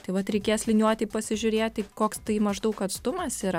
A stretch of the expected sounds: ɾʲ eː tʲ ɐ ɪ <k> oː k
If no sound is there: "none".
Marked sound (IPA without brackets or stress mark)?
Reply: k